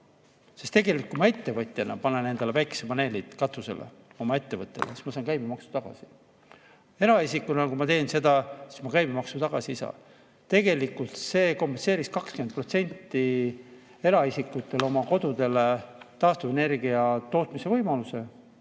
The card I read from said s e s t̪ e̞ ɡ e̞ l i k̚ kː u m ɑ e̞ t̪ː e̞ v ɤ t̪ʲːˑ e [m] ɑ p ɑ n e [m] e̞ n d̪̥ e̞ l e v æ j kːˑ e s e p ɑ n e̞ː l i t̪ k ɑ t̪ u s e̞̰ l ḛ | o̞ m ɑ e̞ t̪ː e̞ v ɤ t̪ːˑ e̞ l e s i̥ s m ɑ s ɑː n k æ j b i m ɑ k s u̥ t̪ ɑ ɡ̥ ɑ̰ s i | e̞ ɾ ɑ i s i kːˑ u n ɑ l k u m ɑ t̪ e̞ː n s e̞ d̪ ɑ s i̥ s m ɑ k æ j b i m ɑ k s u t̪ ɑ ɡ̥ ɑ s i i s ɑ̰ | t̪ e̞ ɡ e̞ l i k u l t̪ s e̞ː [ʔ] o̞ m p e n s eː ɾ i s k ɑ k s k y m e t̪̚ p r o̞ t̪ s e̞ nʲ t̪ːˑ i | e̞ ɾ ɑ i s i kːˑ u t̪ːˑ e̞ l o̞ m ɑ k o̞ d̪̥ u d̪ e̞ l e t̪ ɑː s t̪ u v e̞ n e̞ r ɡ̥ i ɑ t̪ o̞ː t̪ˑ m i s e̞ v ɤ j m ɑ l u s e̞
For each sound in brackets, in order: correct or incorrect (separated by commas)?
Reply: incorrect, incorrect, incorrect